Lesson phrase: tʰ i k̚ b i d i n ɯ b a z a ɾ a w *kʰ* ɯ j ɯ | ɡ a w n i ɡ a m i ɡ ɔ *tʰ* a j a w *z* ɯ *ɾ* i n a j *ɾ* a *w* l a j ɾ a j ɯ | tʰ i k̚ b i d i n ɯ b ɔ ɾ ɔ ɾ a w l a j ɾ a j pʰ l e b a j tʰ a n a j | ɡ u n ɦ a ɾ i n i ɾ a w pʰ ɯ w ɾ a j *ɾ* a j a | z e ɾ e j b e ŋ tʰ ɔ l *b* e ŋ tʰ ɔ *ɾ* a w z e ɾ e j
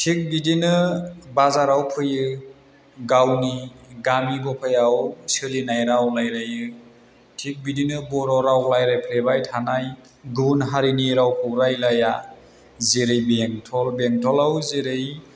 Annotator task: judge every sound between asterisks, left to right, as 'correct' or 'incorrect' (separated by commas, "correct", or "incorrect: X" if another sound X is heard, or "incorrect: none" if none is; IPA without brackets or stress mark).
incorrect: pʰ, incorrect: pʰ, incorrect: s, incorrect: l, correct, correct, incorrect: l, correct, incorrect: l